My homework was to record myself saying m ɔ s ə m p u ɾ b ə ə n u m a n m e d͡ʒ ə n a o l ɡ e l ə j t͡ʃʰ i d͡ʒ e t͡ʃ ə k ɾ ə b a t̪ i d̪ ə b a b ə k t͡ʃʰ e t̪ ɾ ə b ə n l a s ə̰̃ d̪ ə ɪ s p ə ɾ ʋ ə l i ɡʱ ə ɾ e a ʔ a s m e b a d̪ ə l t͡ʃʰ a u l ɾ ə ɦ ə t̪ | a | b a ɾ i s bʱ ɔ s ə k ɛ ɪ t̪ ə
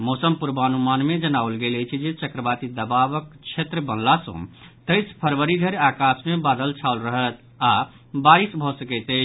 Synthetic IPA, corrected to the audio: m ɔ s ə m p u ɾ b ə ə n u m a n m e d͡ʒ ə n a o l ɡ e l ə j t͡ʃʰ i d͡ʒ e t͡ʃ ə k ɾ ə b a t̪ i d̪ ə b a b ə k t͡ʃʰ e t̪ ɾ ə b ə n l a s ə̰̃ t̪ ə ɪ s pʰ ə ɾ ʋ ə ɾ i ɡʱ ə ɾ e a k a s m e b a d̪ ə l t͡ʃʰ a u l ɾ ə ɦ ə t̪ | a | b a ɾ i s bʱ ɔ s ə k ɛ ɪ t̪ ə